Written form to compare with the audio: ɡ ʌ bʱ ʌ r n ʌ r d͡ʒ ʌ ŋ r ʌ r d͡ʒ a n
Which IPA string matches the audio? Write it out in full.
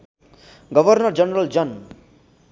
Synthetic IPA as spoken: ɡ ʌ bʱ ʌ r n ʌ r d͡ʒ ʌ n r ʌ l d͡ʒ ʌ n